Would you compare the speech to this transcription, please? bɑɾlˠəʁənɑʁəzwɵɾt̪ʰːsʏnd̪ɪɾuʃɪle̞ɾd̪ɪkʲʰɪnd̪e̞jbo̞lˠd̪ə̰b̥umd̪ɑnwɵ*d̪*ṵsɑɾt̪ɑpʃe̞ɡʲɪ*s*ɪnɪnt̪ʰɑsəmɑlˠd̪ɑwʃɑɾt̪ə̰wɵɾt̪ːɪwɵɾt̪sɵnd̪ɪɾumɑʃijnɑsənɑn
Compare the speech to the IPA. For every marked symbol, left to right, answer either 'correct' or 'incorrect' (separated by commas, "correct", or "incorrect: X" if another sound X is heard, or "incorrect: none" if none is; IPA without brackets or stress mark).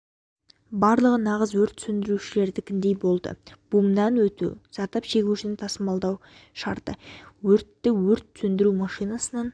incorrect: t̪, incorrect: ʃ